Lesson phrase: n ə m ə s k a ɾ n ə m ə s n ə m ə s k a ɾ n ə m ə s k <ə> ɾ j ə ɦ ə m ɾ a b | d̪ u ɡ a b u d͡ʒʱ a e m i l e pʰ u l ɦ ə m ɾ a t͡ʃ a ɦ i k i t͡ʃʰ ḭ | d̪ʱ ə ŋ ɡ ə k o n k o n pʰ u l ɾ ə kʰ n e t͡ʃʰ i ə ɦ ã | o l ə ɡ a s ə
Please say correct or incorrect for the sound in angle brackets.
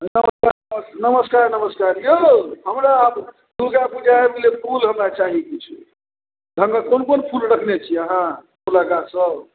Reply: incorrect